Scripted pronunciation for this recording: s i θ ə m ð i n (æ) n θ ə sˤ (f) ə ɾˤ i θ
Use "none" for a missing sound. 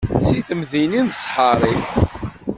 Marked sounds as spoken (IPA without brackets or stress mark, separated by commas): i, ħ